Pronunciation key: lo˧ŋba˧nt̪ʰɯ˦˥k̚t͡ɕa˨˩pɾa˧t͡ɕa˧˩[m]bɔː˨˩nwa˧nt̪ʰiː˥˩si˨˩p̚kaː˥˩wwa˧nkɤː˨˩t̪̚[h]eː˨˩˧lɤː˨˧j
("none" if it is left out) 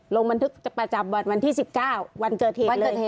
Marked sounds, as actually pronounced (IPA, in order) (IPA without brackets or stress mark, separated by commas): m, h